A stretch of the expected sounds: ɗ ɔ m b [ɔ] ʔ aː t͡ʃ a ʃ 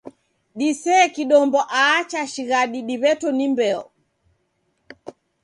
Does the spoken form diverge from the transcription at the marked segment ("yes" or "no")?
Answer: no